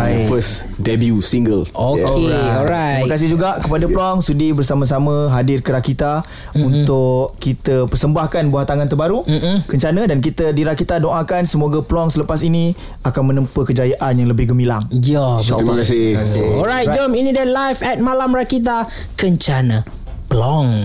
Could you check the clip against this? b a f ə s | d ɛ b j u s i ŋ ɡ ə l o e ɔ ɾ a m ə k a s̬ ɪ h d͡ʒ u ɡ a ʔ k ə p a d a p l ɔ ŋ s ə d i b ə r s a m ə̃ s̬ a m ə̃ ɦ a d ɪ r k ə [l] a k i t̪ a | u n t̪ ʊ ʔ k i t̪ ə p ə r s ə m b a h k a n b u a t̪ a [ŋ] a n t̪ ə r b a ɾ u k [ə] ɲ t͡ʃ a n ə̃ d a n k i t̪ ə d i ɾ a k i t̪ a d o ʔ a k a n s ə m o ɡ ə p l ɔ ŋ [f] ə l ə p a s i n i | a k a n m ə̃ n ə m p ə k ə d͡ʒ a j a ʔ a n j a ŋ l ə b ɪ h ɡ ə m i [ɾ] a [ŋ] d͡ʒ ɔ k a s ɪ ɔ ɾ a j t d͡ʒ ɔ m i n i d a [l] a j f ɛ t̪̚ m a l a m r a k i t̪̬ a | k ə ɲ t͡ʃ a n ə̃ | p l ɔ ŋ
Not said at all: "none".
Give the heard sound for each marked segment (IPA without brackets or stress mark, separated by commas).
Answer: ɾ, ŋ, ə, s, l, ŋ, l